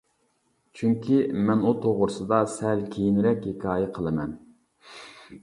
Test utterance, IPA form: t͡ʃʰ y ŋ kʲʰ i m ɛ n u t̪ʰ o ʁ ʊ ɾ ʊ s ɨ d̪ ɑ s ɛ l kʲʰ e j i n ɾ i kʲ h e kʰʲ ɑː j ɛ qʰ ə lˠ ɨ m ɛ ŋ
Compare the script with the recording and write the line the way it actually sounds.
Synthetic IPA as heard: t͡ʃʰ y ŋ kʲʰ i m ɛ n u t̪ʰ o ʁ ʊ ɾ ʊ s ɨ d̪ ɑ s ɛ l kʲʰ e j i n ɾ ɛ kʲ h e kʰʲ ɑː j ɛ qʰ ə lˠ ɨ m ɛ n

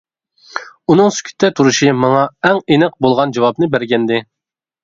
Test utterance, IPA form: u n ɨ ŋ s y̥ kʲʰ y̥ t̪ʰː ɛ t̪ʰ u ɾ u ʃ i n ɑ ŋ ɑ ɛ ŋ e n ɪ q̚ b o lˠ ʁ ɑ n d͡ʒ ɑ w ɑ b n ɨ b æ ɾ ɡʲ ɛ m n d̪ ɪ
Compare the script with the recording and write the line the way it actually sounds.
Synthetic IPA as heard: u n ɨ ŋ s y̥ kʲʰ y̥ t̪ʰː ɛ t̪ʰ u ɾ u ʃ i m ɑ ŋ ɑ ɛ ŋ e n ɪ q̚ b o lˠ ʁ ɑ n d͡ʒ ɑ w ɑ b n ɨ b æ ɾ ɡʲ ɛ n d̪ ɪ

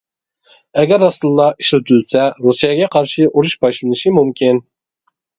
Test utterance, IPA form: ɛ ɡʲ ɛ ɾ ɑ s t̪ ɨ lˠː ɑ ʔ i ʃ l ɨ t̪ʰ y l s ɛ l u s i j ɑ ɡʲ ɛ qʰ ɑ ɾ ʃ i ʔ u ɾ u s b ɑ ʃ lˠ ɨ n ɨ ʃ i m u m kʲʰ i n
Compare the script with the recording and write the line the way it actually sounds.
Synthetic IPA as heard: ɛ ɡʲ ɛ ɾ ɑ s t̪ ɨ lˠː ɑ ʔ i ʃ l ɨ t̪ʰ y l s ɛ ɾ u s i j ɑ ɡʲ ɛ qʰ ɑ ɾ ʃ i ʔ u ɾ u ʃ b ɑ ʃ lˠ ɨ n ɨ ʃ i m u m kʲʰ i n

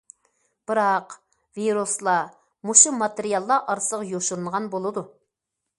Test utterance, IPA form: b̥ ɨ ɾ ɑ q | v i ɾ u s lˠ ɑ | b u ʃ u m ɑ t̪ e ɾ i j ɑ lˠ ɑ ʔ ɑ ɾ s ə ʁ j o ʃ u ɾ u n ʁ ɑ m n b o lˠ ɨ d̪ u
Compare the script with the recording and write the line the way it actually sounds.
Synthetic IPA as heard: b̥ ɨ ɾ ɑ q | v i ɾ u s lˠ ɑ | m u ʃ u m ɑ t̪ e ɾ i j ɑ lˠː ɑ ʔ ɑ ɾ s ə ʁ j o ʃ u ɾ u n ʁ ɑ n b o lˠ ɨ d̪ u

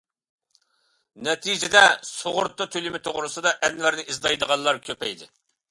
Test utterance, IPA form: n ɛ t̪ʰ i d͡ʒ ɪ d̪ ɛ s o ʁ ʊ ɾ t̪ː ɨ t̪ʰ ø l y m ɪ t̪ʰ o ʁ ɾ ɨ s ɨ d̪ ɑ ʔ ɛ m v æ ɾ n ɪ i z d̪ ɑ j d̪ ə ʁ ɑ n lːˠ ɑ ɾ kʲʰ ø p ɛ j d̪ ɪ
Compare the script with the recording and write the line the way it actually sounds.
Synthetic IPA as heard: n ɛ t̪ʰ i d͡ʒ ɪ d̪ ɛ s o ʁ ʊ ɾ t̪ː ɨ t̪ʰ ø l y m ɪ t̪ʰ o ʁ ɾ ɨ s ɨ d̪ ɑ ʔ ɛ n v æ ɾ n ɪ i z d̪ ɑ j d̪ ə ʁ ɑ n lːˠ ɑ ɾ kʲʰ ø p ɛ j d̪ ɪ

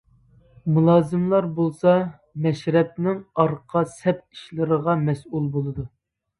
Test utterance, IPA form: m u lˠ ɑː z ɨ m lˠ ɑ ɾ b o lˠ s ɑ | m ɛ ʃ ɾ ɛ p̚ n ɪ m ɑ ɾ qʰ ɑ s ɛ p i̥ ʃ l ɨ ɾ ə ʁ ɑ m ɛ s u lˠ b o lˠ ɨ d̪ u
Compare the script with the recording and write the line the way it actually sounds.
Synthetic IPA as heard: m u lˠ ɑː z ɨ m lˠ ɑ ɾ b o lˠ s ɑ | m ɛ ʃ ɾ ɛ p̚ n ɪ ŋ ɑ ɾ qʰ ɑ s ɛ p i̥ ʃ l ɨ ɾ ə ʁ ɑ m ɛ s u lˠ b o lˠ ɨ d̪ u

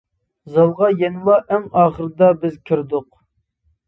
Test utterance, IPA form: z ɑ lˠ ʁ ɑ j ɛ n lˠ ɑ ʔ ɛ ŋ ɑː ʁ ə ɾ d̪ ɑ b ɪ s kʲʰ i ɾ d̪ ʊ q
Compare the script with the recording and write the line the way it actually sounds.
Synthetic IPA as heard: z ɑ lˠ ʁ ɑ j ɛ n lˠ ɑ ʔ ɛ ŋ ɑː χ ə ɾ d̪ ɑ b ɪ z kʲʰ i ɾ d̪ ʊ q

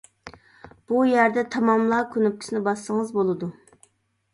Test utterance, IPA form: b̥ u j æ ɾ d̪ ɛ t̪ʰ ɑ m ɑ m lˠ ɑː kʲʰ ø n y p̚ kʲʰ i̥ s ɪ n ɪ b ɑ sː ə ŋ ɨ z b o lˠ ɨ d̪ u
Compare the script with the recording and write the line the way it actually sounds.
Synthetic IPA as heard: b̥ u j æ ɾ d̪ ɛ t̪ʰ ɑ m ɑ m lˠ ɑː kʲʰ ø n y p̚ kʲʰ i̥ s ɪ n ɪ b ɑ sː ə ŋ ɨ z b o lˠ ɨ d̪ u

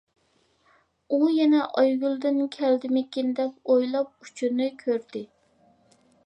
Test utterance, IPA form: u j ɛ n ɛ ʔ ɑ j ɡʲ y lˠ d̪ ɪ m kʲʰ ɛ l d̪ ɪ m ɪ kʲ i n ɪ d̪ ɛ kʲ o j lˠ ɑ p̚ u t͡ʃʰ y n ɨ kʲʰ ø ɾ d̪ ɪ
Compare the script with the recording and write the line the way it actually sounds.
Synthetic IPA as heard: u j ɛ n ɛ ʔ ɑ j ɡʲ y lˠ d̪ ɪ n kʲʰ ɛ l d̪ ɪ m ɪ kʲ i n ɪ d̪ ɛ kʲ o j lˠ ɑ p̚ u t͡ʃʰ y n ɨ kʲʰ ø ɾ d̪ ɪ

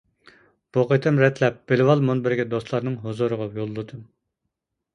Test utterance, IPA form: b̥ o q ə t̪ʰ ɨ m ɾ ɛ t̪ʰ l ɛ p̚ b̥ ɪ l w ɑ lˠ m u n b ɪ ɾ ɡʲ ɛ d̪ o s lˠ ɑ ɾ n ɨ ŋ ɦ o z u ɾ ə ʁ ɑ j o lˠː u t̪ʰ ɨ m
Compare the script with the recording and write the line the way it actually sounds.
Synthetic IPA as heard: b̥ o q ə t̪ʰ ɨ m ɾ ɛ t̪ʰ l ɛ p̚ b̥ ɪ l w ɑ lˠ m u n b ɪ ɾ ɡʲ ɛ d̪ o s lˠ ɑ ɾ n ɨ ŋ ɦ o z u ɾ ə ʁ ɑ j o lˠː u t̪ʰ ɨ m

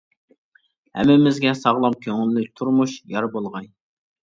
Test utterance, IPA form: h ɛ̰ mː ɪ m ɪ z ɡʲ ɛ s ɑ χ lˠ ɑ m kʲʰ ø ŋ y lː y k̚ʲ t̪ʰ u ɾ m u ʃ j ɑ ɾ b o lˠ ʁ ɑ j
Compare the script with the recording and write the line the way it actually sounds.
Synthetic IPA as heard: h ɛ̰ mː ɪ m ɪ z ɡʲ ɛ s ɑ ʁ lˠ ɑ m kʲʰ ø ŋ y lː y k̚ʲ t̪ʰ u ɾ m u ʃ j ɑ ɾ b o lˠ ʁ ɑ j

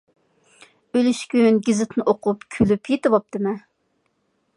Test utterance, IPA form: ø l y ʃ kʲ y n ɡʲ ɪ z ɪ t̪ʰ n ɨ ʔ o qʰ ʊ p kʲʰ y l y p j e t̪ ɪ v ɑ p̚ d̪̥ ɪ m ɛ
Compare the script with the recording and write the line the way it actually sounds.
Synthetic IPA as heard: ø l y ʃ kʲ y n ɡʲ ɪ z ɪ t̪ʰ n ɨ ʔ o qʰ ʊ p kʲʰ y l y p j e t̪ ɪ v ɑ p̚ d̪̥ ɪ m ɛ

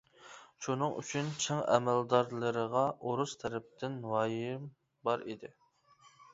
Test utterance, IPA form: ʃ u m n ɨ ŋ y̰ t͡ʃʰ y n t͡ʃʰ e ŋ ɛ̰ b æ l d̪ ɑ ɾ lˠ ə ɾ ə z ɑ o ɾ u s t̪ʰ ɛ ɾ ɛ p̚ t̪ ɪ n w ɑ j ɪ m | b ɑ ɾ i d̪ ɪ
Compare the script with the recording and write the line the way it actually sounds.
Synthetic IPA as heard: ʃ u n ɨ ŋ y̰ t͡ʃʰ y n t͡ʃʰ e ŋ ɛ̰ m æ l d̪ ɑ ɾ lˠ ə ɾ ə ʁ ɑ o ɾ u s t̪ʰ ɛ ɾ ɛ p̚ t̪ ɪ n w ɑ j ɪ m | b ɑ ɾ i d̪ ɪ

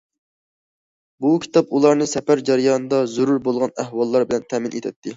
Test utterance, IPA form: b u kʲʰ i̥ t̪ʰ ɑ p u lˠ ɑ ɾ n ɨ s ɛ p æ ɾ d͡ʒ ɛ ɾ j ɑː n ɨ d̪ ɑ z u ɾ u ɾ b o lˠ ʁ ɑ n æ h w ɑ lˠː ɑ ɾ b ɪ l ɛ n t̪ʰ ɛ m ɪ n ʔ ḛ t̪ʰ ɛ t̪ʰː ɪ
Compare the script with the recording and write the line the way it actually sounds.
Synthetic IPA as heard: b u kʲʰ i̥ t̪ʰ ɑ p u lˠ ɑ ɾ n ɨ s ɛ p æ ɾ d͡ʒ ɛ ɾ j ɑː n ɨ d̪ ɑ z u ɾ u ɾ b o lˠ ʁ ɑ n æ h w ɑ lˠː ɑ ɾ b ɪ l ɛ n t̪ʰ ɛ m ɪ n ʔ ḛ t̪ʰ ɛ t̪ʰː ɪ

